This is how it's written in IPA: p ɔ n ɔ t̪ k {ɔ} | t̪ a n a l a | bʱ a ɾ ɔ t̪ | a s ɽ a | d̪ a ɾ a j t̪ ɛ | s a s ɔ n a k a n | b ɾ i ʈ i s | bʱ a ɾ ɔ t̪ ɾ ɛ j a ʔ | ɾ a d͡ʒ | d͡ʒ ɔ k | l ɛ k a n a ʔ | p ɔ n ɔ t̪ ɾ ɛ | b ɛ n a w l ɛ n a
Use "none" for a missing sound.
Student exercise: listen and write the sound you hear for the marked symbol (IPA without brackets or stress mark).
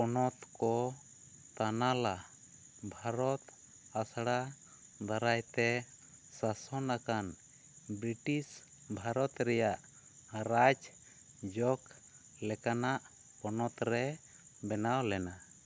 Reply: ɔ